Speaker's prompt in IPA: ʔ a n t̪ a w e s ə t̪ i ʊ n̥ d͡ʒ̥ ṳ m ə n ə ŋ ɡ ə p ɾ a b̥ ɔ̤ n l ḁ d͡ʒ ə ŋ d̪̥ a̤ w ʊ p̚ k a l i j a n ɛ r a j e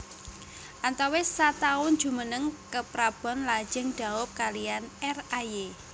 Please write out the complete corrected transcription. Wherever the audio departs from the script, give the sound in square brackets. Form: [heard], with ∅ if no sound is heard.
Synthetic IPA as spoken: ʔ a n t̪ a w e s [a] t̪ [a] ʊ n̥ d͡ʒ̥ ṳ m ə n ə ŋ [k] ə p ɾ a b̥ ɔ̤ n l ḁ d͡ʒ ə ŋ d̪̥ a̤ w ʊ p̚ k a l i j a n ɛ r a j e